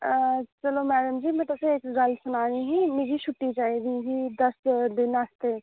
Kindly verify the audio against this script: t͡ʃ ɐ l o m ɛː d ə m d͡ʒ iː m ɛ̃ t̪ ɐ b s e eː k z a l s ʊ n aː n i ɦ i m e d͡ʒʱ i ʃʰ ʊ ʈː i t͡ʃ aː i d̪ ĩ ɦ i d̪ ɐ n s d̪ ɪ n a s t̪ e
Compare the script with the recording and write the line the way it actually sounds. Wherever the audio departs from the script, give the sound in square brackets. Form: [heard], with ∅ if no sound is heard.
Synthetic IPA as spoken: t͡ʃ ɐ l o m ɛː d ə m d͡ʒ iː m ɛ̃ t̪ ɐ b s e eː k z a l s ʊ n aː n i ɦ i m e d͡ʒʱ i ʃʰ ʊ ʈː i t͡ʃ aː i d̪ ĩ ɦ i d̪ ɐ [∅] s d̪ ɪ n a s t̪ e